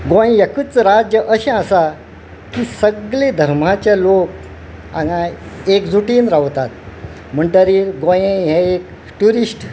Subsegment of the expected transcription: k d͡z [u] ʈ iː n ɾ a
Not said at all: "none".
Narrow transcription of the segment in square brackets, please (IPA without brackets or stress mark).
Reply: u